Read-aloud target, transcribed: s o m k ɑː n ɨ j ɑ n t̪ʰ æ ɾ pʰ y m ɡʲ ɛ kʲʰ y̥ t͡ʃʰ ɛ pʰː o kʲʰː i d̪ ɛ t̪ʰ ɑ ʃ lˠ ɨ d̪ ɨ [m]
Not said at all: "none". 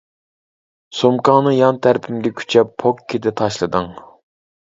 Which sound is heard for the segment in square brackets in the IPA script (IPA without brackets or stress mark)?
ŋ